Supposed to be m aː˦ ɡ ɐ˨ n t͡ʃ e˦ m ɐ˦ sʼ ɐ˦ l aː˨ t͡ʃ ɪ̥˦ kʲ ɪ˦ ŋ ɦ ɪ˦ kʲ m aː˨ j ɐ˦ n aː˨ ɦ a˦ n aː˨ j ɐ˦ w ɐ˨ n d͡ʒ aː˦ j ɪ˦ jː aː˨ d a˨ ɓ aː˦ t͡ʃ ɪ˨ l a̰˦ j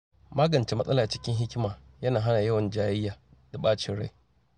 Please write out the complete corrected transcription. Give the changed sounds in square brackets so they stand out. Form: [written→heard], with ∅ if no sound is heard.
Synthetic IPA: m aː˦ ɡ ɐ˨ n t͡ʃ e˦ m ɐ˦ sʼ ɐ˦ l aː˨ t͡ʃ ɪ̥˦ kʲ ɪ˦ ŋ ɦ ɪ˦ kʲ m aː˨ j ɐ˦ n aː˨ ɦ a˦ n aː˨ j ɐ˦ w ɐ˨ n d͡ʒ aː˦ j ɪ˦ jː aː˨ d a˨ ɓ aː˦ t͡ʃ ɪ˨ [l→ɽ] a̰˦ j

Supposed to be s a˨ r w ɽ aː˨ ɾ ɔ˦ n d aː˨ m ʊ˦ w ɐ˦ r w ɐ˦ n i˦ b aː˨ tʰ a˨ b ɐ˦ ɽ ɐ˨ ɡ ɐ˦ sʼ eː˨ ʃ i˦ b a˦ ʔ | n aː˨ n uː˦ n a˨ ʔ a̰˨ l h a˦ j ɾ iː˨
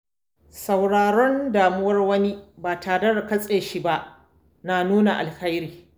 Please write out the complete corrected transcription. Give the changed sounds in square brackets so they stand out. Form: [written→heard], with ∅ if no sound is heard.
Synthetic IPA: s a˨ [r→∅] w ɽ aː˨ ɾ ɔ˦ n d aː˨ m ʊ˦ w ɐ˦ r w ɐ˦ n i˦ b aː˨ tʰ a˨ [b→d] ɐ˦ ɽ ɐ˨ [ɡ→k] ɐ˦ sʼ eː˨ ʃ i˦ b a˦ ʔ | n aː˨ n uː˦ n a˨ ʔ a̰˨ l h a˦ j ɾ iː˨

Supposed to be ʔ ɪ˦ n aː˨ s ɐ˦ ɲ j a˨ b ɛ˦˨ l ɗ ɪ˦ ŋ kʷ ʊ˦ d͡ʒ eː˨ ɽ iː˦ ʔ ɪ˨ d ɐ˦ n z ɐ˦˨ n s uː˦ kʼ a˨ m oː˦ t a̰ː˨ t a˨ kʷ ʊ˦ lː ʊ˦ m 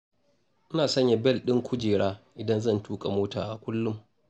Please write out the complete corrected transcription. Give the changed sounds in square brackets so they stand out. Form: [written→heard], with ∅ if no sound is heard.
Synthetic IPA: ʔ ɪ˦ n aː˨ s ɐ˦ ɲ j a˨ b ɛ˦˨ l ɗ ɪ˦ ŋ kʷ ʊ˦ d͡ʒ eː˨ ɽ [iː˦→aː˦] ʔ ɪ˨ d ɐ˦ n z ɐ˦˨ n [s→t] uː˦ kʼ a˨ m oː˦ t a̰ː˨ [t→ʔ] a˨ kʷ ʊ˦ lː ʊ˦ m

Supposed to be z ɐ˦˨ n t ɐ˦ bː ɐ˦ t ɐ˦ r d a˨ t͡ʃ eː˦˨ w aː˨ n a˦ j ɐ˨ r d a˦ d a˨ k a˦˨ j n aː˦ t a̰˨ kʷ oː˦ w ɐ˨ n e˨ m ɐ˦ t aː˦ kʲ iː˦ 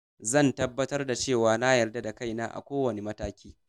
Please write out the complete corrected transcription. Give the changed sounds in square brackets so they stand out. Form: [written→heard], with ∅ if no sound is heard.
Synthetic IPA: z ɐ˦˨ n t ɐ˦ bː ɐ˦ t ɐ˦ r d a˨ t͡ʃ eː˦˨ w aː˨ n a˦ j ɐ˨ r d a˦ d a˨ k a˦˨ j n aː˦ [t→ʔ] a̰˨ kʷ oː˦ w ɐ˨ n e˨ m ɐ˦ t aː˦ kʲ iː˦

